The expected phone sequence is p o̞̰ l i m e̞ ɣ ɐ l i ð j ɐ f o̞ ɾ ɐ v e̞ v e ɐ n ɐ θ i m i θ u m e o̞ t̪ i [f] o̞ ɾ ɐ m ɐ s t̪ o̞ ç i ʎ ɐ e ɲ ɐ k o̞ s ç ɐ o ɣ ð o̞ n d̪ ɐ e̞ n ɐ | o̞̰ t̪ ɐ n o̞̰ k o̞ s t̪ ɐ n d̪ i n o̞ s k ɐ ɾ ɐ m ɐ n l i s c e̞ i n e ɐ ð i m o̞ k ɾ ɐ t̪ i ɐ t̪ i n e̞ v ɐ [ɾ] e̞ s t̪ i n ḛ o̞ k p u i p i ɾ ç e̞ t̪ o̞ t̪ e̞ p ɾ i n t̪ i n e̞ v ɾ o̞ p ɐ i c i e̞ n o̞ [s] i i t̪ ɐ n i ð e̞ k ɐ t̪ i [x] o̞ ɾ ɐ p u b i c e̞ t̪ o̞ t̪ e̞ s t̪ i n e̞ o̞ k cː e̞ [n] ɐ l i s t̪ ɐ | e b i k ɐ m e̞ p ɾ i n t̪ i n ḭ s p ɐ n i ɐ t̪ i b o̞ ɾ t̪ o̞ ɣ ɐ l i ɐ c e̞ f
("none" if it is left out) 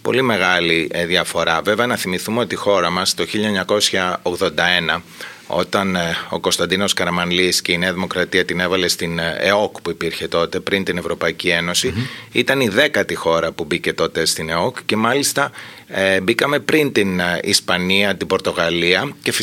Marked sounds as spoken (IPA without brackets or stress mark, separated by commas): x, l, s, x, m